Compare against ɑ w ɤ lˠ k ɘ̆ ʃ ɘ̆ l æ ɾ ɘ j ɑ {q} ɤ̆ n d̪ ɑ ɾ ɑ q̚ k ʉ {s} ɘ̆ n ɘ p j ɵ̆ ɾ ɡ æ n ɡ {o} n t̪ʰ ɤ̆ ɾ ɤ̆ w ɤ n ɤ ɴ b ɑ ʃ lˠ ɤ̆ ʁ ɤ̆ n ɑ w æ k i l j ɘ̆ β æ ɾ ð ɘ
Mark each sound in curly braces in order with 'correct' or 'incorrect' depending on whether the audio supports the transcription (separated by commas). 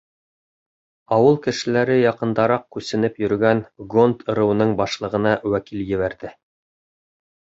correct, correct, correct